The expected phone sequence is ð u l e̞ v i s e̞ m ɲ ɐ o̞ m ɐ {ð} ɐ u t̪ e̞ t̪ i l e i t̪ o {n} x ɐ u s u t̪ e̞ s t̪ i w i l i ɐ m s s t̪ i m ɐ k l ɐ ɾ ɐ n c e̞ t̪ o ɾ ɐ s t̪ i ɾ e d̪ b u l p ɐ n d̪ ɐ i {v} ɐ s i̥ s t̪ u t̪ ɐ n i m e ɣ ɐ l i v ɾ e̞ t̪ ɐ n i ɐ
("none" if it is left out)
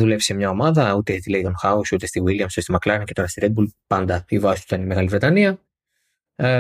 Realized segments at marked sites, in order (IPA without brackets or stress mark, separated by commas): ð, n, v